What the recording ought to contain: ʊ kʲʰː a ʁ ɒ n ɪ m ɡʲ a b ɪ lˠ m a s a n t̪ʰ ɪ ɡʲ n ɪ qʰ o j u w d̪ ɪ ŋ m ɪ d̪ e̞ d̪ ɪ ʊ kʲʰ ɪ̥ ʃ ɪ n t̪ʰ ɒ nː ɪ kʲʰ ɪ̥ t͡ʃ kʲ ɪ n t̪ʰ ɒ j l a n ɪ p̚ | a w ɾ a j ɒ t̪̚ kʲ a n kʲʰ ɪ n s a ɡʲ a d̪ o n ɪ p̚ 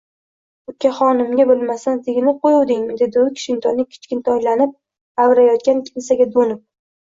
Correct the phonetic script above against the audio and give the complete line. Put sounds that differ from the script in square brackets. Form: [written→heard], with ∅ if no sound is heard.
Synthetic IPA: ʊ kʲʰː a [ʁ→χ] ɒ n ɪ m ɡʲ a b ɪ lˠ m a s a n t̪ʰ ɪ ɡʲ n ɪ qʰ o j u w d̪ ɪ ŋ m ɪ d̪ e̞ d̪ ɪ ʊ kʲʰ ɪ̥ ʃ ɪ n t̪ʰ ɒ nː ɪ kʲʰ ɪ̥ t͡ʃ kʲ ɪ n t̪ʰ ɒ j l a n ɪ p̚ | a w ɾ a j ɒ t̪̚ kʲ a n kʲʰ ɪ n s a ɡʲ a d̪ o n ɪ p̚